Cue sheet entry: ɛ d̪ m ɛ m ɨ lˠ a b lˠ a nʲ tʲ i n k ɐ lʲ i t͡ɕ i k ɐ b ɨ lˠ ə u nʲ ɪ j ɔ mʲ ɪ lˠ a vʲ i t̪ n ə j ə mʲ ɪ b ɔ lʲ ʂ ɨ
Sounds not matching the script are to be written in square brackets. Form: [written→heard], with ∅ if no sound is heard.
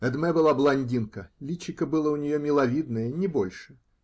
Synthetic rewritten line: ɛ d̪ m ɛ [m→b] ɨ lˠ a b lˠ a nʲ [tʲ→dʲ] i n k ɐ lʲ i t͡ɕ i k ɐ b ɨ lˠ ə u nʲ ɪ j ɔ mʲ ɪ lˠ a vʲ i [t̪→d̪] n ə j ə [mʲ→nʲ] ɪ b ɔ lʲ ʂ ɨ